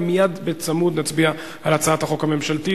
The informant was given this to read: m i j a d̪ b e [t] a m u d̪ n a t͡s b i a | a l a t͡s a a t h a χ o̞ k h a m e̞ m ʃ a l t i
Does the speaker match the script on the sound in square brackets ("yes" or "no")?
no